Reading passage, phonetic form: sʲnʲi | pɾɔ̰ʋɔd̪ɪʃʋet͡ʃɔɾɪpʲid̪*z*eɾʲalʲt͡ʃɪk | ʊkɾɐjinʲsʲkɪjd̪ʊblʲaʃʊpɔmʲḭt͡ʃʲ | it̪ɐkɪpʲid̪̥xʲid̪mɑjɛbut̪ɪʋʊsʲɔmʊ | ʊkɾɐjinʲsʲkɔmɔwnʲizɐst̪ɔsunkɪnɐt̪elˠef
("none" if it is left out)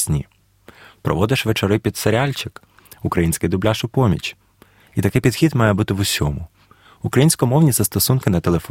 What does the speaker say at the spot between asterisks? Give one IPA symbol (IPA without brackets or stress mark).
s